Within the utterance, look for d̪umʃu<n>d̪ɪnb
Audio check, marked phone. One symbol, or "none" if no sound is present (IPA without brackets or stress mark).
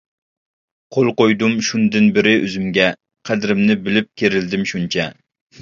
n